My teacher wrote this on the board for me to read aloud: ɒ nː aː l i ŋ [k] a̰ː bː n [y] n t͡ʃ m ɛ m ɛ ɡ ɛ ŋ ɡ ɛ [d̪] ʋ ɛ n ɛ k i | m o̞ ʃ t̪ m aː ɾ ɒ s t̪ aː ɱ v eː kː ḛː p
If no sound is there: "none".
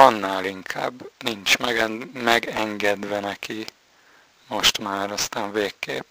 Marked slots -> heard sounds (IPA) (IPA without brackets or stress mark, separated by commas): kʰ, i, d̪